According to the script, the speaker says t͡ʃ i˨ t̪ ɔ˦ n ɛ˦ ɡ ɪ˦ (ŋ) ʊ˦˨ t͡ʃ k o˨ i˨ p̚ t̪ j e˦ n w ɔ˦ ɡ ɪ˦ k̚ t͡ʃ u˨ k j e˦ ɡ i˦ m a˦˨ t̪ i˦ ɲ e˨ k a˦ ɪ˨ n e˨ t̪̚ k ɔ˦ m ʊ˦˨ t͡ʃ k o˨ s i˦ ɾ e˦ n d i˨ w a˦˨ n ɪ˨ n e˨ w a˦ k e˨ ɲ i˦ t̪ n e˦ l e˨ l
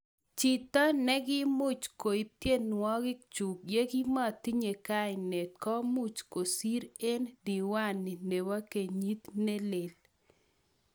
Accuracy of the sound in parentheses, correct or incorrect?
incorrect